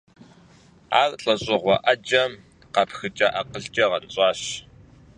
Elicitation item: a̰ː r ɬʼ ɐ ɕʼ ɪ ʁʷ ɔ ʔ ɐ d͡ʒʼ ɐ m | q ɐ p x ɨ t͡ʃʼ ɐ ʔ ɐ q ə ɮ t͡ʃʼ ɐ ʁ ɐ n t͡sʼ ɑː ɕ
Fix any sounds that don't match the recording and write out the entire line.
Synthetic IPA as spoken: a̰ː r ɬʼ ɐ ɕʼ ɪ ʁʷ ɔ ʔ ɐ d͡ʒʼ ɐ m | q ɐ p x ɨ t͡ʃʼ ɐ ʔ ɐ q ə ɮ t͡ʃʼ ɐ ʁ ɐ n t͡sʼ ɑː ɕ